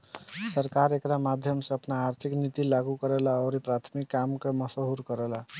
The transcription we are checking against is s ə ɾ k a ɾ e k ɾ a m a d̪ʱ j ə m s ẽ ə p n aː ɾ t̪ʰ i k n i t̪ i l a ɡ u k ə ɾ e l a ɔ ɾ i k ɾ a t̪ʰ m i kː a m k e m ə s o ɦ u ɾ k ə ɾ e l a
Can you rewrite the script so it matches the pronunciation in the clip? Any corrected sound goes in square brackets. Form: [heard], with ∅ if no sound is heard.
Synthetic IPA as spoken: s ə ɾ k a ɾ e k ɾ a m a d̪ʱ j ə m s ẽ ə p n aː ɾ t̪ʰ i k n i t̪ i l a ɡ u k ə ɾ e l a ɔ ɾ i [p] ɾ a t̪ʰ m i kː a m k e m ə s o ɦ u ɾ k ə ɾ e l a